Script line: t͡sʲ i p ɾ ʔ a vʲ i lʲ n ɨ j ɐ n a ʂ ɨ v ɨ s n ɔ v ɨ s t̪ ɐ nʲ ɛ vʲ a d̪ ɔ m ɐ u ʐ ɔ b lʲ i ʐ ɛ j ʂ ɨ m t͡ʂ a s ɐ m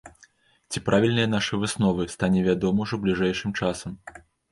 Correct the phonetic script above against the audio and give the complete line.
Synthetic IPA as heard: t͡sʲ i p ɾ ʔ a vʲ i lʲ n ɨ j ɐ n a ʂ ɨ v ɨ s n ɔ v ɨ s t̪ a nʲ ɛ vʲ a d̪ ɔ m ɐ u ʐ ɔ b lʲ i ʐ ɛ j ʂ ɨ m t͡ʂ a s ɐ m